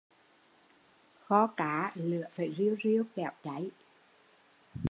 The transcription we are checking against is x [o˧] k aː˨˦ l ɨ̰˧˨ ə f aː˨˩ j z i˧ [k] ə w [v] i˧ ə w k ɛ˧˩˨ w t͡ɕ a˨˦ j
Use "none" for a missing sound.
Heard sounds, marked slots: ɔ˧, none, z

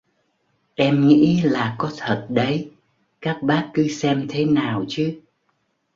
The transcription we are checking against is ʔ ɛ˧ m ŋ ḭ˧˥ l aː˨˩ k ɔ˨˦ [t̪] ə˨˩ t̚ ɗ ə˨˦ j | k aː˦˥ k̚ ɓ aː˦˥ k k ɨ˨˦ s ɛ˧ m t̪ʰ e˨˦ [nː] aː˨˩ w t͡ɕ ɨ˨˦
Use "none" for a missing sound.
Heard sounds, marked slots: t̪ʰ, n

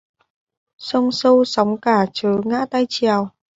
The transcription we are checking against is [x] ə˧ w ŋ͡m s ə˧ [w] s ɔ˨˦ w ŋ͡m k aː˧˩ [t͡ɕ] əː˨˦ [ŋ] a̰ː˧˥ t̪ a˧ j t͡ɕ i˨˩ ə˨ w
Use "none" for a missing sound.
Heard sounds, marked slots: s, w, t͡ɕ, ŋ

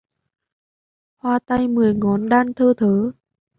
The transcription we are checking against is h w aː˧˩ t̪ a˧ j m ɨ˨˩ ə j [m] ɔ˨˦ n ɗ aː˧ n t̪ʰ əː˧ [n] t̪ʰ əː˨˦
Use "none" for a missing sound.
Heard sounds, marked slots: ŋ, none

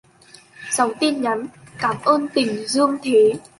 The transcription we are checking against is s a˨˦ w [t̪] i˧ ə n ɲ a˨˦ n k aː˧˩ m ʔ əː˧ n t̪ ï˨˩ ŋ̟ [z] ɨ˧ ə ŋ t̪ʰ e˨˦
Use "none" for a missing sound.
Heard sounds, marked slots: t̪, z

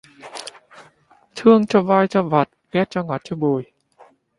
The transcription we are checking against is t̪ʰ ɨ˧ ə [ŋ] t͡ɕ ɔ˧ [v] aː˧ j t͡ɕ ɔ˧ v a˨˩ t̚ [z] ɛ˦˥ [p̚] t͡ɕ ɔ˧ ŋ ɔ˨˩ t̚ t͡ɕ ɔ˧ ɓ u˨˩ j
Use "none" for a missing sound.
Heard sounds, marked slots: ŋ, v, ɣ, t̚

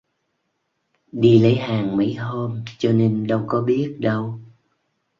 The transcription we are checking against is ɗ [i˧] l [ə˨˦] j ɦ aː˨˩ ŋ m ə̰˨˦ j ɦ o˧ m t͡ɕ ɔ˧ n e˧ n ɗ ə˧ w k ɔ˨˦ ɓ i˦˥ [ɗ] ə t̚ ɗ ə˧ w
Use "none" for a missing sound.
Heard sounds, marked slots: i˧, ə˨˦, none

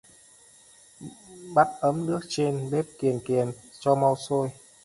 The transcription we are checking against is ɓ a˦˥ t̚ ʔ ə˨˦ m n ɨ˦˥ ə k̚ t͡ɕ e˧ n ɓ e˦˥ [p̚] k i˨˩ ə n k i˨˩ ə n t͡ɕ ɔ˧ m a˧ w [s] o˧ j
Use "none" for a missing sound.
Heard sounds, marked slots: p̚, s

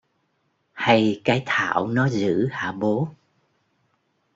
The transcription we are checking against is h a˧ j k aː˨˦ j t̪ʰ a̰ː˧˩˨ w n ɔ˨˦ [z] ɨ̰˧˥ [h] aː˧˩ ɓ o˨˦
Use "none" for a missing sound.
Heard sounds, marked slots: z, h

